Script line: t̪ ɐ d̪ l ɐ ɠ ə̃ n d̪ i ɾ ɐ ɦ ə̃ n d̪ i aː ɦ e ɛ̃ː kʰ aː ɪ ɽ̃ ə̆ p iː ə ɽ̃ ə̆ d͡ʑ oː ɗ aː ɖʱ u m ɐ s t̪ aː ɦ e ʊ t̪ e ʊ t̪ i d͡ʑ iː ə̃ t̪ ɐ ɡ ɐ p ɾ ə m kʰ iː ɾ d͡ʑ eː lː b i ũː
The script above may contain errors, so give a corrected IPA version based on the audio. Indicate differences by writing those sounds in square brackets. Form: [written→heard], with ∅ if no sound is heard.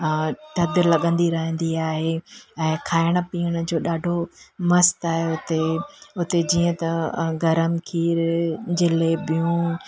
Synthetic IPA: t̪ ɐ d̪ l ɐ ɠ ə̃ n d̪ i ɾ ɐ ɦ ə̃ n d̪ i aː ɦ e ɛ̃ː kʰ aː ɪ ɽ̃ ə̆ p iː ə ɽ̃ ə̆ d͡ʑ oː ɗ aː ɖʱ [u→o] m ɐ s t̪ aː ɦ e ʊ t̪ e ʊ t̪ [i→e] d͡ʑ iː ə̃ t̪ ɐ ɡ ɐ [p→∅] ɾ ə m kʰ iː ɾ d͡ʑ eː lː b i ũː